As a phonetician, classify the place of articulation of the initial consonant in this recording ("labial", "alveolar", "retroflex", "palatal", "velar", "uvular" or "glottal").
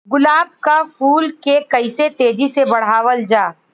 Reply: velar